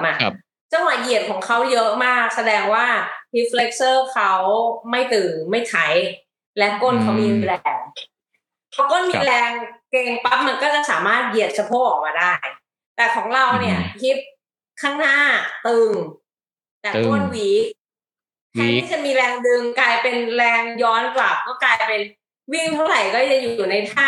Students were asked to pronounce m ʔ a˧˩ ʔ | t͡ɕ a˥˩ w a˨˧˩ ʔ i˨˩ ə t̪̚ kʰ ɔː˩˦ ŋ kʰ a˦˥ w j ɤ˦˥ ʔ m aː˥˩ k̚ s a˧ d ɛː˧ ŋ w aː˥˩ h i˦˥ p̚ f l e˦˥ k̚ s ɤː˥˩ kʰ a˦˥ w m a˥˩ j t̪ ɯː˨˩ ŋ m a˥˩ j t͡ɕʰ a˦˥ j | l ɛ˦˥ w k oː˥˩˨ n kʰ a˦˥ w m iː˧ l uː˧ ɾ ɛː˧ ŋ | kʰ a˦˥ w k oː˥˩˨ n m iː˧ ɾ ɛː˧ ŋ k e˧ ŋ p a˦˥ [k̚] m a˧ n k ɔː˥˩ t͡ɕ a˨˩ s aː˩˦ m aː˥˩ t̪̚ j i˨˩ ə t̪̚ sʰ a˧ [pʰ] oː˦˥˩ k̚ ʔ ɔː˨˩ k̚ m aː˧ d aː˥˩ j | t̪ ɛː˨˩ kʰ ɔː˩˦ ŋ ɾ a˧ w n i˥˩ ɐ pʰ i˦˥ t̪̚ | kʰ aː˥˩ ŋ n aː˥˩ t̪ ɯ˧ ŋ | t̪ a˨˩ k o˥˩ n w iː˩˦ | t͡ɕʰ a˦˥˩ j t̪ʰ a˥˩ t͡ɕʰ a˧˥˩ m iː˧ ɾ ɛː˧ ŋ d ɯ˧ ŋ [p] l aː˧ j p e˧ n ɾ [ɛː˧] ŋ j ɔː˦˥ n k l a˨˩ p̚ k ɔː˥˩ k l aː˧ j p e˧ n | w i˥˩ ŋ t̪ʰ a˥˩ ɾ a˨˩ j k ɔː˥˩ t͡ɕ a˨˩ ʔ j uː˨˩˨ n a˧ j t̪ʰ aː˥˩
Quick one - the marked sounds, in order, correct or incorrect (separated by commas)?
incorrect, correct, incorrect, correct